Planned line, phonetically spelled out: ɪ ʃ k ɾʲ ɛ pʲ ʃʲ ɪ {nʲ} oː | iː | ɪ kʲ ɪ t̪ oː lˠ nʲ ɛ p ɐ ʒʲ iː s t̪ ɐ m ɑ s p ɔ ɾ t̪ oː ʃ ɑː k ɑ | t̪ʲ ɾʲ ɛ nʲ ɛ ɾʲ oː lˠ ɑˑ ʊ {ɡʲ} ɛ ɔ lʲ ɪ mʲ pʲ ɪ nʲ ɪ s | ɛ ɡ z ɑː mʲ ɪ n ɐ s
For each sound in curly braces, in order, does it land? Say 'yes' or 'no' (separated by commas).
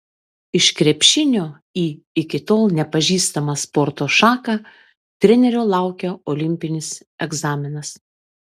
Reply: yes, no